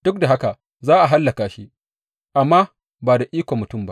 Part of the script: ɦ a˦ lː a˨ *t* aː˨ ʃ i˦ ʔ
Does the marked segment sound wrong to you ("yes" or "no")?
yes